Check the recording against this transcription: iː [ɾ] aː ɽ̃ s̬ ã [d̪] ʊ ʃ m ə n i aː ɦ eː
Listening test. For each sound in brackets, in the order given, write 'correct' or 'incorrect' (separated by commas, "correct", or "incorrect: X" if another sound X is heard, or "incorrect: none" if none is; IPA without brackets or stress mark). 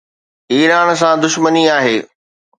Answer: correct, correct